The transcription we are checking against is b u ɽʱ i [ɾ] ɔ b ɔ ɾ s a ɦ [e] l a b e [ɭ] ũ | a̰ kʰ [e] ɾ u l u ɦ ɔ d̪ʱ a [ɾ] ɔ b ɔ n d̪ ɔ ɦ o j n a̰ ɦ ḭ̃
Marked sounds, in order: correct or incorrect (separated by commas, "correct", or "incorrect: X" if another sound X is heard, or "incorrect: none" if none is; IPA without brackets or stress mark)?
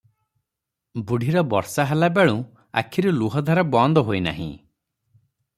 correct, incorrect: a, correct, incorrect: i, correct